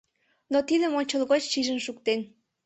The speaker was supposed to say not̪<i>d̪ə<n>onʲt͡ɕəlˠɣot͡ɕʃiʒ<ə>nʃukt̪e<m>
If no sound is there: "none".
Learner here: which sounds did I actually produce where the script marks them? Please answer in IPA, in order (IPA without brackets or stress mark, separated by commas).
i, m, ə, n